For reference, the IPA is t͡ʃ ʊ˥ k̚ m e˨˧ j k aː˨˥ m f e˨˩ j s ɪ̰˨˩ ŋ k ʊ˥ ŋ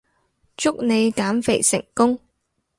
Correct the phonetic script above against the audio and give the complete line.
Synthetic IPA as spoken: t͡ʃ ʊ˥ k̚ n e˨˧ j k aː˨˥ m f e˨˩ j s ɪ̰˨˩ ŋ k ʊ˥ ŋ

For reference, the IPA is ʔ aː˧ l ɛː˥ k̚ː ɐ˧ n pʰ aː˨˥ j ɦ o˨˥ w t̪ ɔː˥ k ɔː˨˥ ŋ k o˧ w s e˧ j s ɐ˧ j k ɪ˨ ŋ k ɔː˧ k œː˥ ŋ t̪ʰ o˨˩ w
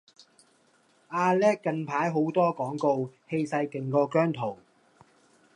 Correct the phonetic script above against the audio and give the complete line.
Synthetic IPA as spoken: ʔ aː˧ l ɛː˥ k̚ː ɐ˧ n pʰ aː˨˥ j ɦ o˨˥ w t̪ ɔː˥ k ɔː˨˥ ŋ k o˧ w h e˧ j s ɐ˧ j k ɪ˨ ŋ k ɔː˧ k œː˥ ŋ t̪ʰ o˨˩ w

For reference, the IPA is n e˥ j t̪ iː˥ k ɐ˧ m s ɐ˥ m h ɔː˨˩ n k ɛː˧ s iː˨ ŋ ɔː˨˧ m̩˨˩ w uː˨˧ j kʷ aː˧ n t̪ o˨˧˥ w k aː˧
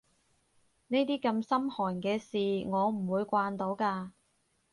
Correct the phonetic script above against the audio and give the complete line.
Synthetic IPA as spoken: n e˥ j t̪ iː˥ k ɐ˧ m s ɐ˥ m h ɔː˨˩ n k ɛː˧ s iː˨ ŋ ɔː˨˧ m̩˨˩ w uː˨˧ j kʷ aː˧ n t̪ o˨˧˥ w k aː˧

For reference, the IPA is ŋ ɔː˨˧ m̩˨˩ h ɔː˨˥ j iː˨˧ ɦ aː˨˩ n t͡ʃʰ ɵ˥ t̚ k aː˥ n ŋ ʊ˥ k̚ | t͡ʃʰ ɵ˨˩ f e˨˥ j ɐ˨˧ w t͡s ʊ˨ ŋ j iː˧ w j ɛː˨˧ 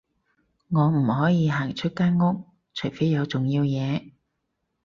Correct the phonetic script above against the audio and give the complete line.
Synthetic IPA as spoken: ŋ ɔː˨˧ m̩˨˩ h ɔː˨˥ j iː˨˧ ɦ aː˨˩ ŋ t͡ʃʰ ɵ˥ t̚ k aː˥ n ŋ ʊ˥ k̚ | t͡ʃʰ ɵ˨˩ f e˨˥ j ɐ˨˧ w t͡s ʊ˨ ŋ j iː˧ w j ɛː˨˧

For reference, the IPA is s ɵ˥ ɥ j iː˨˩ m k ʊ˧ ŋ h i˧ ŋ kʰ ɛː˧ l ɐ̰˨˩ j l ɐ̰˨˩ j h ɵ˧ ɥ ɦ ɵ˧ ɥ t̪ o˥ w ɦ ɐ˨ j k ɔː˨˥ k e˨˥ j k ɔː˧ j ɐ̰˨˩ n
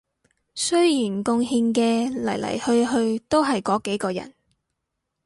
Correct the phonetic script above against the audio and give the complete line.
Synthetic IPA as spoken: s ɵ˥ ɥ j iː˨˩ n k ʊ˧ ŋ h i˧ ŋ k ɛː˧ l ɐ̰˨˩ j l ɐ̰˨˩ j h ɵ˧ ɥ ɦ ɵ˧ ɥ t̪ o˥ w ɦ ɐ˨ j k ɔː˨˥ k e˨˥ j k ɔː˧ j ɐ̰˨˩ n

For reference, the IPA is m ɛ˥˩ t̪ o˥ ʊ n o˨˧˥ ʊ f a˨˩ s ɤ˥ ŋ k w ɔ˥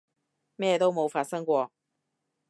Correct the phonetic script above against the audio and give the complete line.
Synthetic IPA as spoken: m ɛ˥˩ t̪ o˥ ʊ m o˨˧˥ ʊ f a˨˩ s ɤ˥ ŋ k w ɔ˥

